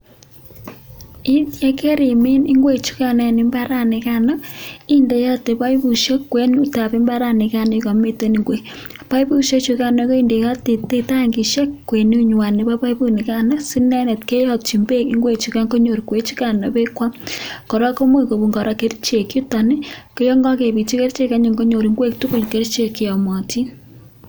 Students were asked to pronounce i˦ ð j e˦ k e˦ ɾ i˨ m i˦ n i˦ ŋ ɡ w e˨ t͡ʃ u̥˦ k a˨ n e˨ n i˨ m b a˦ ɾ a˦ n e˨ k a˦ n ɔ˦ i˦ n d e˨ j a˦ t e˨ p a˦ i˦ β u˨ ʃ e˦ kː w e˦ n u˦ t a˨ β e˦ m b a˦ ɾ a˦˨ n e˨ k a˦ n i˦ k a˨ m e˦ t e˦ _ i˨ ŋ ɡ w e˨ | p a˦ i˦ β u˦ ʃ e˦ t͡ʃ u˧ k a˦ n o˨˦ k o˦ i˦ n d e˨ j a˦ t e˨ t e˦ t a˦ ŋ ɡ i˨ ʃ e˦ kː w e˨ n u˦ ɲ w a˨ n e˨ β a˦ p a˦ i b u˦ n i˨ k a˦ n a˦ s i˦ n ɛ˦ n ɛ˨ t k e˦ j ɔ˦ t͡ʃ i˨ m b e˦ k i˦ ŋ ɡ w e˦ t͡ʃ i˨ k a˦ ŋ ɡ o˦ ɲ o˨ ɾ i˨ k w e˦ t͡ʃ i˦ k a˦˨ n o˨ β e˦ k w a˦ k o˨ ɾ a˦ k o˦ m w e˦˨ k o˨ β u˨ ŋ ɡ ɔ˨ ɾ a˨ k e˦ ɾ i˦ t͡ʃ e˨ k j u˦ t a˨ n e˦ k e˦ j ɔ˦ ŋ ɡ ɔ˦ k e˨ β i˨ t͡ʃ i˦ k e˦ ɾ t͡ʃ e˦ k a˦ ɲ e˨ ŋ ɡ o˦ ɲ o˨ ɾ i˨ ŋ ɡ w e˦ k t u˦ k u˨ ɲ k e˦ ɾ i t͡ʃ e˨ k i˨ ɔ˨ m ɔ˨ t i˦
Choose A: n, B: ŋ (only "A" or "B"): A